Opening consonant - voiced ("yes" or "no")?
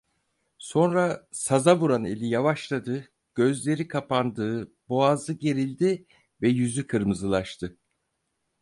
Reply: no